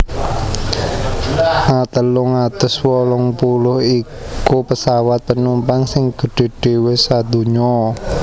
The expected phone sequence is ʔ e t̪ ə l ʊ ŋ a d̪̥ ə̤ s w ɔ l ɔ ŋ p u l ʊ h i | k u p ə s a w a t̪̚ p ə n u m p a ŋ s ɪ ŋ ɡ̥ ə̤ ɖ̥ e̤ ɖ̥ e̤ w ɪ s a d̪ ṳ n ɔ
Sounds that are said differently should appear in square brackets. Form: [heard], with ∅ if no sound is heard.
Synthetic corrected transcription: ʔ [a] t̪ ə l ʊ ŋ a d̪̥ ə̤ s w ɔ l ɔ ŋ p u l ʊ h i | k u p ə s a w a t̪̚ p ə n u m p a ŋ s ɪ ŋ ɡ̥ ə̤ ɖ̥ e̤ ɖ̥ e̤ w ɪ s a d̪ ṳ [ɲ] ɔ

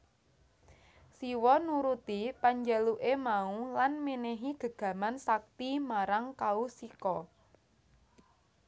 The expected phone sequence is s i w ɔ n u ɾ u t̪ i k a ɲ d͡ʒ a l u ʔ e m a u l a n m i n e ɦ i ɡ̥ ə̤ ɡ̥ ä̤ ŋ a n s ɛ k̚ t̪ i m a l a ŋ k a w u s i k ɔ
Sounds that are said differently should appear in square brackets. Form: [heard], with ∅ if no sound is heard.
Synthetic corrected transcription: s i w ɔ n u ɾ u t̪ i [p] a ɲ d͡ʒ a l u ʔ e m a u l a n m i n e ɦ i ɡ̥ ə̤ ɡ̥ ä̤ [m] a n s [a] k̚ t̪ i m a [ɾ] a ŋ k a [∅] u s i k ɔ

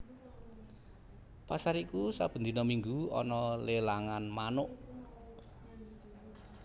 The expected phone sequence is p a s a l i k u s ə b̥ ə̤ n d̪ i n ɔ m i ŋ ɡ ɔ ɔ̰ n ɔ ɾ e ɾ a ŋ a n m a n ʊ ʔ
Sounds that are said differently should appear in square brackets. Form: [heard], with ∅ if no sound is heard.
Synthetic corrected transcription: p a s a [ɾ] i k u s [a] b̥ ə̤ n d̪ i n ɔ m i ŋ ɡ [u] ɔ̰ n ɔ [l] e [l] a ŋ a n m a n ʊ ʔ

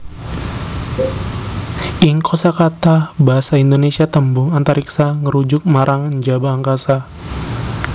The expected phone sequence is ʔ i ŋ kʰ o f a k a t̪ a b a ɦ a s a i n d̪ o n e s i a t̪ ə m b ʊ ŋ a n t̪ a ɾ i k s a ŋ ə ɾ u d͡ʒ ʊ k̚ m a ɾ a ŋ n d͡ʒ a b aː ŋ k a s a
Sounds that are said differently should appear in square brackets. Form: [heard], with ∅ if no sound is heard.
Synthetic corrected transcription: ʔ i ŋ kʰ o [s] a k a t̪ a b a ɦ a s a i n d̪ o n e s i a t̪ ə m b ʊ ŋ a n t̪ a ɾ i k s a ŋ ə ɾ u d͡ʒ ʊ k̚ m a ɾ a ŋ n d͡ʒ a b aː ŋ k a s a

